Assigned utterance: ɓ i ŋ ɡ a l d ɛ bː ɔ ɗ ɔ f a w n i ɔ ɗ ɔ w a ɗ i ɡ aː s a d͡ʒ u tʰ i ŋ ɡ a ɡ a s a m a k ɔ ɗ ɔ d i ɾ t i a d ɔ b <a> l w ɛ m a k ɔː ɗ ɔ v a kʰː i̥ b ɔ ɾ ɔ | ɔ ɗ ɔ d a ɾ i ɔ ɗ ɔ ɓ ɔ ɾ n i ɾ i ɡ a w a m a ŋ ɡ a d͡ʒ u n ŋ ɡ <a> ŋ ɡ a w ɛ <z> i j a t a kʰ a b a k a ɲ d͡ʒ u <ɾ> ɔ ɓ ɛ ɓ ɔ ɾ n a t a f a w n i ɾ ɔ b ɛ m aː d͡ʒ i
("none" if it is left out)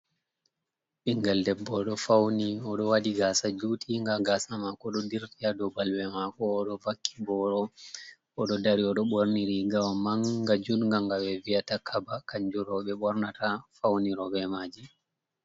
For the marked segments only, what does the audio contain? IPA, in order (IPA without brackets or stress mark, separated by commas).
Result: a, a, v, ɾ